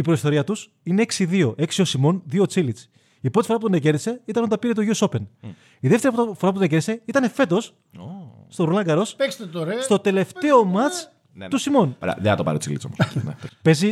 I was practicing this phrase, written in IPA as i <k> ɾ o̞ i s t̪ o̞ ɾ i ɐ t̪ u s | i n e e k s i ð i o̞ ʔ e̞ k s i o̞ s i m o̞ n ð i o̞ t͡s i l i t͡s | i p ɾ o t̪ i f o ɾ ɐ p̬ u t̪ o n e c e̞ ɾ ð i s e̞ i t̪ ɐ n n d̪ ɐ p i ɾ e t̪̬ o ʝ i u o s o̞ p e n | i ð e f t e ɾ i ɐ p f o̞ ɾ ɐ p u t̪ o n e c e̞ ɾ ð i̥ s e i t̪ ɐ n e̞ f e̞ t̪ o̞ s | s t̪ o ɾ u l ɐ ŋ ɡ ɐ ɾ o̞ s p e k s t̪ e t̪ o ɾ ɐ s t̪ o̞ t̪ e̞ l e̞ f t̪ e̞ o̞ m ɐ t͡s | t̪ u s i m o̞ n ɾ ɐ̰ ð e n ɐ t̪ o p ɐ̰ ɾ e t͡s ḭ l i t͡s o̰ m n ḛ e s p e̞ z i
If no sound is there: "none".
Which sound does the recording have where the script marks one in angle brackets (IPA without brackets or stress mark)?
p